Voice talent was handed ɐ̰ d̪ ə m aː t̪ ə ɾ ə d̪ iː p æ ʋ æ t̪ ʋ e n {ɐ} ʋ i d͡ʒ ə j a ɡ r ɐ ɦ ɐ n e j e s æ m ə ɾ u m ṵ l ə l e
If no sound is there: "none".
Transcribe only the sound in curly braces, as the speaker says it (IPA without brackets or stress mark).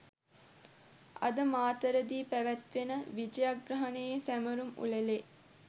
ə